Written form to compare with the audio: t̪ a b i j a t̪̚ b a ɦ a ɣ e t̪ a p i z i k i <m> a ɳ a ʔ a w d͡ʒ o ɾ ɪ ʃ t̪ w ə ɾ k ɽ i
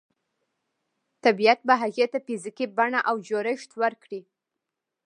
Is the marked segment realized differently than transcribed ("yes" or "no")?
yes